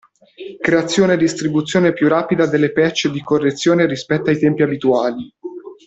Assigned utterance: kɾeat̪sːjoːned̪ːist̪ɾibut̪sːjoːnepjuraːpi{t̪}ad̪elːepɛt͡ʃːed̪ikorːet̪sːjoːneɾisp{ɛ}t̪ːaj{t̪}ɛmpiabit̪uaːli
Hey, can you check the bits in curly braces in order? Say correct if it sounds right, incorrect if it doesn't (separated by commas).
incorrect, correct, correct